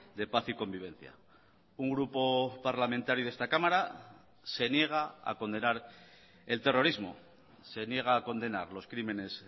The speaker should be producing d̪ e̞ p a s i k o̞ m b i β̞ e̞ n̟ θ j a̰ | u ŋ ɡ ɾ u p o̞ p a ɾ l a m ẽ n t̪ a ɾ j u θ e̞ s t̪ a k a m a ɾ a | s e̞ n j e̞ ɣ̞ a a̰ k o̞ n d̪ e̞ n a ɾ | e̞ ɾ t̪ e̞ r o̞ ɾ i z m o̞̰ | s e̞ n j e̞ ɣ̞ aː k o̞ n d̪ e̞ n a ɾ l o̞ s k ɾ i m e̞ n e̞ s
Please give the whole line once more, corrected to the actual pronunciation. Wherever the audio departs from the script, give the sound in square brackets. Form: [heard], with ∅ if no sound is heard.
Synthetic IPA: d̪ e̞ p a [θ] i k o̞ m b i β̞ e̞ n̟ θ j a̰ | u ŋ ɡ ɾ u p o̞ p a ɾ l a m ẽ n t̪ a ɾ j u [ð] e̞ s t̪ a k a m a ɾ a | s e̞ n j e̞ ɣ̞ a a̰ k o̞ n d̪ e̞ n a ɾ | e̞ [l] t̪ e̞ r o̞ ɾ i z m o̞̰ | s e̞ n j e̞ ɣ̞ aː k o̞ n d̪ e̞ n a ɾ l o̞ s k ɾ i m e̞ n e̞ s